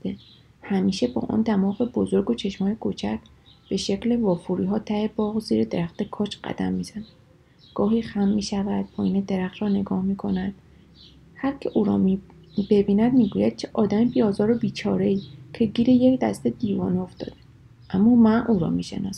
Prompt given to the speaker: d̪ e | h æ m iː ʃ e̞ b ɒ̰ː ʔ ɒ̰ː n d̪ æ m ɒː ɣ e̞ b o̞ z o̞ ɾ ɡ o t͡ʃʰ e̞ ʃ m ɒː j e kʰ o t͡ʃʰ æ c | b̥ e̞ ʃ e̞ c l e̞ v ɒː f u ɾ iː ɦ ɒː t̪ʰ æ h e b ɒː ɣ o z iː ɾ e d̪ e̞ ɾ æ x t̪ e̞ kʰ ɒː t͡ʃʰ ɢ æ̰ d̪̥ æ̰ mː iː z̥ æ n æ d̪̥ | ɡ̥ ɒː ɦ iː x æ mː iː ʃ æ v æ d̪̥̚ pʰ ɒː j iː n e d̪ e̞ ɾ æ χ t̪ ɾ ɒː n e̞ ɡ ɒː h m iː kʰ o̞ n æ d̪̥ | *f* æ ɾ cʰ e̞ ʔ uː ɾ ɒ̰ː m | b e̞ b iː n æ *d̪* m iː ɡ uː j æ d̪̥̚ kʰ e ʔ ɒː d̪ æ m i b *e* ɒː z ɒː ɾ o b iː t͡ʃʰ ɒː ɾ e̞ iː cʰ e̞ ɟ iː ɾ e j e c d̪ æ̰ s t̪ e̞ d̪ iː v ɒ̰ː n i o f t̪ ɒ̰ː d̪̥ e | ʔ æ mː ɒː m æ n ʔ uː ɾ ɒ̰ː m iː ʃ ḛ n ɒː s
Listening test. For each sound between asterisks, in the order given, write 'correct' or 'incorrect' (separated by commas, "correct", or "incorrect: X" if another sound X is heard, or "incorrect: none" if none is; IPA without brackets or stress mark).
incorrect: h, correct, incorrect: i